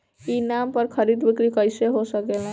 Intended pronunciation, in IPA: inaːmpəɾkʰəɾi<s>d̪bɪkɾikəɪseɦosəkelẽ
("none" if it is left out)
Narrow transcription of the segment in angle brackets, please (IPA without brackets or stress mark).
none